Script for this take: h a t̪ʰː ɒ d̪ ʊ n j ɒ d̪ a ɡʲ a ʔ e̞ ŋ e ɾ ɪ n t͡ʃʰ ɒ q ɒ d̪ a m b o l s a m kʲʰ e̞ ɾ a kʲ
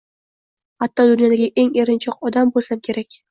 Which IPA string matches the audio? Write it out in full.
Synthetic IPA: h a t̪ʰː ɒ d̪ ʊ n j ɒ d̪ a ɡʲ a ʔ e̞ ŋ e ɾ ɪ n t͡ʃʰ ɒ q ɒ d̪ a m b o l s a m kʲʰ e̞ ɾ a kʲ